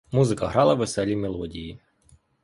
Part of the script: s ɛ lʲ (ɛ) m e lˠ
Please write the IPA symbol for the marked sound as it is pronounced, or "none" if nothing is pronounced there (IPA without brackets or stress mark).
i